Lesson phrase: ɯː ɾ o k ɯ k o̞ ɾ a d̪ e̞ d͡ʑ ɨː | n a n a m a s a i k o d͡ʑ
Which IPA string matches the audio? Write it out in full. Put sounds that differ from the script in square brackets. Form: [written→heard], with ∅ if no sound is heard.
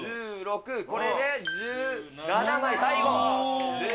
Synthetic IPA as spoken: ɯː ɾ o k ɯ k o̞ ɾ [a→e] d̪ e̞ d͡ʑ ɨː | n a n a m a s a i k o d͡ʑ